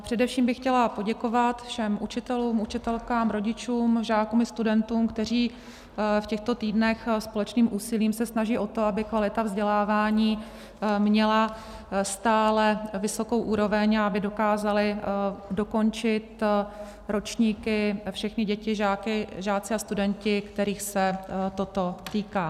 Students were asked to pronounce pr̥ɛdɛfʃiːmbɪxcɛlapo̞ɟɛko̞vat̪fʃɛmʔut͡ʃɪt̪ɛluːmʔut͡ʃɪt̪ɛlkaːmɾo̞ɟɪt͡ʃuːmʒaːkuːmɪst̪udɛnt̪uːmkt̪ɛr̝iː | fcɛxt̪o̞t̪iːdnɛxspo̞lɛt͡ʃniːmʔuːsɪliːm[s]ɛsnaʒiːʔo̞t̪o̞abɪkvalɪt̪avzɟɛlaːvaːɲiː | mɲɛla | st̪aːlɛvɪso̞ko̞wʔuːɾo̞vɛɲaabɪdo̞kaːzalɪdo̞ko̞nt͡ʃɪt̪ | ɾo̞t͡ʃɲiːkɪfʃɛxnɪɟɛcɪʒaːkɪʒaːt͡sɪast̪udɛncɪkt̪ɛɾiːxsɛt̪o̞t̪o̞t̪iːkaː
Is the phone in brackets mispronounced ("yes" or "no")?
no